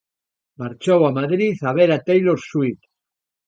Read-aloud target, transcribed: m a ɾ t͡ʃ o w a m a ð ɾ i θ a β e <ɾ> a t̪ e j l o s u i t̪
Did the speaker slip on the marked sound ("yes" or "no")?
no